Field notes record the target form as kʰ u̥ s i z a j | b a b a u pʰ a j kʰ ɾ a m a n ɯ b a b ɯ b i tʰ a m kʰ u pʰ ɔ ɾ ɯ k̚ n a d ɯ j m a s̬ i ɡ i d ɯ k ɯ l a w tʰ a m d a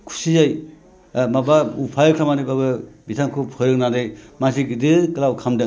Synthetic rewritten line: kʰ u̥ s i z a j | m a b a u pʰ a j kʰ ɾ a m a n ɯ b a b ɯ b i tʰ a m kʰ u pʰ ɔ ɾ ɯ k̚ n a d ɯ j m a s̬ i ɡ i d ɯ k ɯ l a w kʰ a m d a